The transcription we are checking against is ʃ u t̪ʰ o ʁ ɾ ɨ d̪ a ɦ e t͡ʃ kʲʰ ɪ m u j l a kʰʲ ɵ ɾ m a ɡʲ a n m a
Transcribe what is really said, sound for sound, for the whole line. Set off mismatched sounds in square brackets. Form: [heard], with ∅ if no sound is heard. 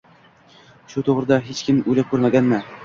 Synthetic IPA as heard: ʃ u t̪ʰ o ʁ ɾ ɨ d̪ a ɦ e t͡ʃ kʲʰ ɪ m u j l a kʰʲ ɵ ɾ m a ɡʲ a n m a